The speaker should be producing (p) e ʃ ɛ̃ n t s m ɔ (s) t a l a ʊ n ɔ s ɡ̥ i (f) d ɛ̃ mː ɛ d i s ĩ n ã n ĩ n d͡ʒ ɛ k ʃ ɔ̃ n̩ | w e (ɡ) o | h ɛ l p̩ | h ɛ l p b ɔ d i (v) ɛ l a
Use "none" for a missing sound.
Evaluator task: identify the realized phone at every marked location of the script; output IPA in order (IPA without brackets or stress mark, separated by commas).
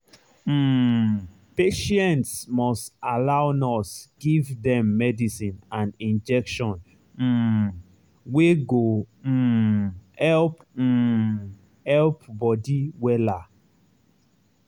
p, s, v, ɡ, w